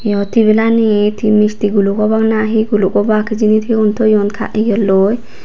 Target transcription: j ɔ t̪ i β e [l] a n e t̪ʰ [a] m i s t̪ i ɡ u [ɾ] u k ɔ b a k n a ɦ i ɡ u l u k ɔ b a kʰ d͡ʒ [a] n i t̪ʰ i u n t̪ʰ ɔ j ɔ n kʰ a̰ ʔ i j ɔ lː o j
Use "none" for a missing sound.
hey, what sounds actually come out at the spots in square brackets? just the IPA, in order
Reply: l, i, l, i

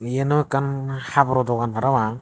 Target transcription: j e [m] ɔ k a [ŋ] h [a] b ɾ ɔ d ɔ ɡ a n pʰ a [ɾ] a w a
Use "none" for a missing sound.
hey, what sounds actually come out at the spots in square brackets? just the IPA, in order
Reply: n, n, a, ɾ

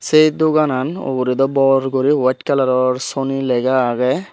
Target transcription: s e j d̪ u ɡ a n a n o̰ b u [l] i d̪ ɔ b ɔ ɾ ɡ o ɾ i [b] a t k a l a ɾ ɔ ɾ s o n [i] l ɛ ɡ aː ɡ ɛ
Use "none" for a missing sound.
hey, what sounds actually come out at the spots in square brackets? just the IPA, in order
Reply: ɾ, w, i

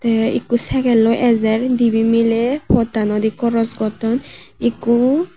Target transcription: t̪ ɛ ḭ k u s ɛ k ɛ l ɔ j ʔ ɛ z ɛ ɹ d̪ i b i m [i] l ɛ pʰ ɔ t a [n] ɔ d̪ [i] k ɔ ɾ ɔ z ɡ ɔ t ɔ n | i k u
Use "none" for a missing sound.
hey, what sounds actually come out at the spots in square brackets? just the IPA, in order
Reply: i, n, i

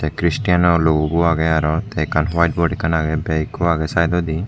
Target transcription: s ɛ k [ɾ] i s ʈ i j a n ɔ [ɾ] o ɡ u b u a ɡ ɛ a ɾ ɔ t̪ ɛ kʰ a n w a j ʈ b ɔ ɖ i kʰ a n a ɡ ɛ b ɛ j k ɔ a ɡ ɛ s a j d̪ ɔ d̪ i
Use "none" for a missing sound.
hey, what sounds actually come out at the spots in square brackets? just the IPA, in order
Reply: ɾ, l

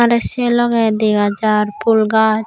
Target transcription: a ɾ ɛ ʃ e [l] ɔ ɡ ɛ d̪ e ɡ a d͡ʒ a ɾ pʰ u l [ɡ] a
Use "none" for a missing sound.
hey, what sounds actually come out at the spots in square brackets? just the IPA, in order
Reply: l, ɡ

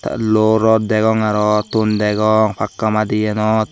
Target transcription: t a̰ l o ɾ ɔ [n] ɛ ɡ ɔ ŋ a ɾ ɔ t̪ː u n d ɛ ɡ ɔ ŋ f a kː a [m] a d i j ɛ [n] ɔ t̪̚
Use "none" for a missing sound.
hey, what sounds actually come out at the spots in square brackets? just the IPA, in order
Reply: d, m, n

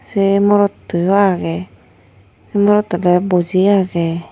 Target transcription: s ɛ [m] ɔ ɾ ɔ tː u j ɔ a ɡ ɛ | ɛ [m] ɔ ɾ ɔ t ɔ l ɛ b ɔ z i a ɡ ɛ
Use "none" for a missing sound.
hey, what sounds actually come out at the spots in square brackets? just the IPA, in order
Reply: m, m

